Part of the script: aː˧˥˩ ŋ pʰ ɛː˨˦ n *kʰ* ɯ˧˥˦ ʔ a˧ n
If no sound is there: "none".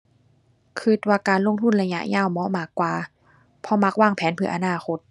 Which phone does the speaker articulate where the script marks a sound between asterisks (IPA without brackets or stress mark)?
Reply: pʰ